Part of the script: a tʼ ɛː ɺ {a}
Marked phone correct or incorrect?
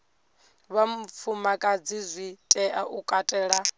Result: correct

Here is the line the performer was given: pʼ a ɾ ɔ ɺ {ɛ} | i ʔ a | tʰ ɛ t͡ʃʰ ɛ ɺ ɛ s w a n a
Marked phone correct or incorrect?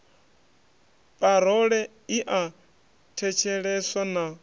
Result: correct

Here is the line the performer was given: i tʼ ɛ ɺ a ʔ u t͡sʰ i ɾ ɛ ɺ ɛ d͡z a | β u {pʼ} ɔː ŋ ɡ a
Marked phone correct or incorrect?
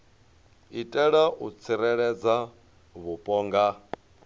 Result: correct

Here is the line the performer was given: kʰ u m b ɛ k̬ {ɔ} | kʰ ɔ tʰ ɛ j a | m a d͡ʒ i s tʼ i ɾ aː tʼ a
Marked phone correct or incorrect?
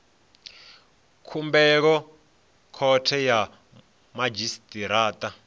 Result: correct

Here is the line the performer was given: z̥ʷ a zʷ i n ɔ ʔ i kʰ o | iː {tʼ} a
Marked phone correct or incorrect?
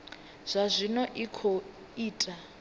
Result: correct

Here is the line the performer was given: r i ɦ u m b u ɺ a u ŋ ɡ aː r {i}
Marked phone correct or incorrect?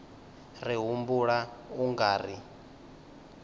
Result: correct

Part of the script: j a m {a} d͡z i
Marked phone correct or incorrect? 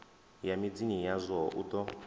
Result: incorrect: i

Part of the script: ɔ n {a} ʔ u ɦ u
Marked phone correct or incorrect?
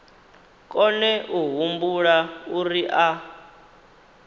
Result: incorrect: ɛ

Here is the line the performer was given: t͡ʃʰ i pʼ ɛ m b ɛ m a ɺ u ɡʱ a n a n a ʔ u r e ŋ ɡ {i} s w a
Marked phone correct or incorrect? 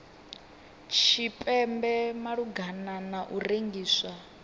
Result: incorrect: iː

